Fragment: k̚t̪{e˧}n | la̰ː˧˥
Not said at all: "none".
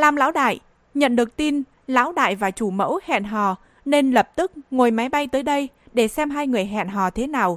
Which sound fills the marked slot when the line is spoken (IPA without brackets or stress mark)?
i˧